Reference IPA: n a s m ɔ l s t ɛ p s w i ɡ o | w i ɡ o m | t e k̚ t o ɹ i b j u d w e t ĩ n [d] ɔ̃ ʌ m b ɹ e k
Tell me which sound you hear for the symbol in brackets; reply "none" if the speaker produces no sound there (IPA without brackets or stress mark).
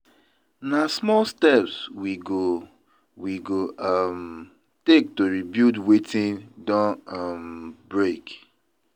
d